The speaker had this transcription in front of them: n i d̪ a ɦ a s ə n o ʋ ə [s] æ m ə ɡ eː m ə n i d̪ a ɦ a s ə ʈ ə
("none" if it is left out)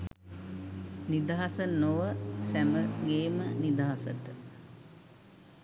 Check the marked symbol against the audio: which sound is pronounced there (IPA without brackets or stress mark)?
s